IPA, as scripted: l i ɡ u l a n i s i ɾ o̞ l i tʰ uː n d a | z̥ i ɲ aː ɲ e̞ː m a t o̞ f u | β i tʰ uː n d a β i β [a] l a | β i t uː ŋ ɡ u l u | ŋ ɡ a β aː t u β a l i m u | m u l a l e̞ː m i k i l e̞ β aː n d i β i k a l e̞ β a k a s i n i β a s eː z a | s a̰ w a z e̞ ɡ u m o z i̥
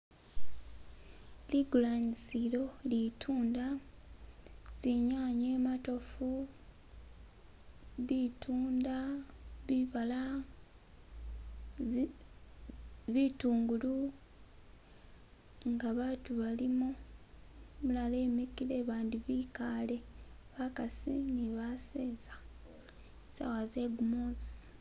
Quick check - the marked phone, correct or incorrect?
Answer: correct